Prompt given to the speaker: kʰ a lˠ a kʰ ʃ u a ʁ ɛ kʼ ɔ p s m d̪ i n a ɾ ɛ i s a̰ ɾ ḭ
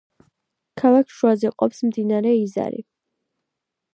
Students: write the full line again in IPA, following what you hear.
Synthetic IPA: kʰ a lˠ a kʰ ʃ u a z ɛ qʼ ɔ p s m d̪ i n a ɾ ɛ i z a̰ ɾ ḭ